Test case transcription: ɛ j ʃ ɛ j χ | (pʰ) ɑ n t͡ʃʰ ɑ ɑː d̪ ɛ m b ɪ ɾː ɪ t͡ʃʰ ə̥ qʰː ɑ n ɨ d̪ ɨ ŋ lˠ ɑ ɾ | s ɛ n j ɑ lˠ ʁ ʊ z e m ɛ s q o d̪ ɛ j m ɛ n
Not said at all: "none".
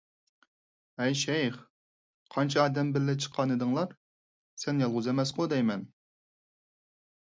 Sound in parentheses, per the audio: qʰ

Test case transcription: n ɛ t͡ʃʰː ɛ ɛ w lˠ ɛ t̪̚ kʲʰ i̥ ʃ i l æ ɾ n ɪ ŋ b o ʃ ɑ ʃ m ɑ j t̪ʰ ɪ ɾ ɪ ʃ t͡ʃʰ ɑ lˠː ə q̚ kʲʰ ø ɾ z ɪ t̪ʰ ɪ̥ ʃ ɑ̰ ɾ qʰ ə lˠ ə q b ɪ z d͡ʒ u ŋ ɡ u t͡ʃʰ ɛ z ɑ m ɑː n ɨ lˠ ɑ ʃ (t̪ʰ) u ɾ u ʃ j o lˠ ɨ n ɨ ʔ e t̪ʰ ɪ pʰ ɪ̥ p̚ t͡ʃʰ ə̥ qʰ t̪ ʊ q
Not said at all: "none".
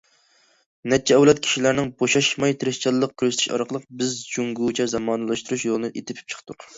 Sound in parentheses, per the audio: t̪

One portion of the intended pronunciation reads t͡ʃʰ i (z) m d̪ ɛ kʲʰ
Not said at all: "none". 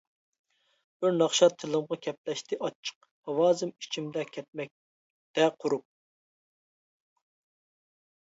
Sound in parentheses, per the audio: none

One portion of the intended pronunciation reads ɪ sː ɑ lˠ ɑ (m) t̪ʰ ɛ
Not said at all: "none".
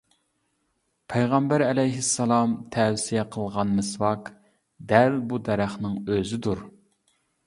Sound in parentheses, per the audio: m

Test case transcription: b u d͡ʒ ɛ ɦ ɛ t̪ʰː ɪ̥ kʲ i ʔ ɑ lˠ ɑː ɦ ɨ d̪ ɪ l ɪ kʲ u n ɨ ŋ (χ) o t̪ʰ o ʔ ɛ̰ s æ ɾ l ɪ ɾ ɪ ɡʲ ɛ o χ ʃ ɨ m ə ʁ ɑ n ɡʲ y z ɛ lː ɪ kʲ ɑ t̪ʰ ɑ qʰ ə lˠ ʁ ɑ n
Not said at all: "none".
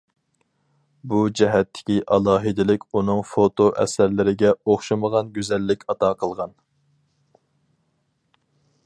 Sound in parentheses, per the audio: f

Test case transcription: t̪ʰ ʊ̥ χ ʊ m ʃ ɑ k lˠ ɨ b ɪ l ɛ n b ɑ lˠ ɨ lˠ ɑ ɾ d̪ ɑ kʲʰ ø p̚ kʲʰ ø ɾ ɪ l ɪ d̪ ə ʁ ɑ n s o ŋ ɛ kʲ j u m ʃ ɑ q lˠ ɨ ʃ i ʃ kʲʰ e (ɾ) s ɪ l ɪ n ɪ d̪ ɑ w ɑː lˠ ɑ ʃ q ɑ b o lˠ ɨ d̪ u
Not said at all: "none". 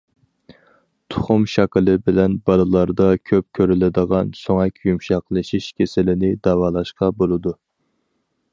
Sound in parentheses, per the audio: none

